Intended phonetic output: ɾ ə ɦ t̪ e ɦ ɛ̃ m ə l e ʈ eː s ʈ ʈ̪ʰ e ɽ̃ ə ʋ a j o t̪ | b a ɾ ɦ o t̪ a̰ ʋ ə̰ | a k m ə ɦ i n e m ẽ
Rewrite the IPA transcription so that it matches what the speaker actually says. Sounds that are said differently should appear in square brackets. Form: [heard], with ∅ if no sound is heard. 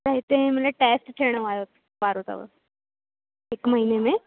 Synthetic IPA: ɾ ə ɦ t̪ e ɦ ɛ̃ m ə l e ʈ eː s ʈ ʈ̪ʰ e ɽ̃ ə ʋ a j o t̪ | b a ɾ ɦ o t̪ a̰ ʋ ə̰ | [e] k m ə ɦ i n e m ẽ